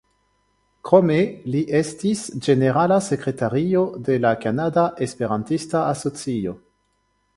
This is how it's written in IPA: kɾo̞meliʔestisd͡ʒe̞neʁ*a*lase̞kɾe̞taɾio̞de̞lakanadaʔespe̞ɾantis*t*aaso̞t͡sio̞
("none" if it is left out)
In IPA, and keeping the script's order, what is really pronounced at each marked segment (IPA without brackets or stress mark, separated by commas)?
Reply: a, t